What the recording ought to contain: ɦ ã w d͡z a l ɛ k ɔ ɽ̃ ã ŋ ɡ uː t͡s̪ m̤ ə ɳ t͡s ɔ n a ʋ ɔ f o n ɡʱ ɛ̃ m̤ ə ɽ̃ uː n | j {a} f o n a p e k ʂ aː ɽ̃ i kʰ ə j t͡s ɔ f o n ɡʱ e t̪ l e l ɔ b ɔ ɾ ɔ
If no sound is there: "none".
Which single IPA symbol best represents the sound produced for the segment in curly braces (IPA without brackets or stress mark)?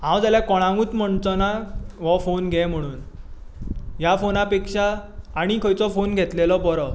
a